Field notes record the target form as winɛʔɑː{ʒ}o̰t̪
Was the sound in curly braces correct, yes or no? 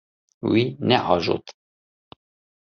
yes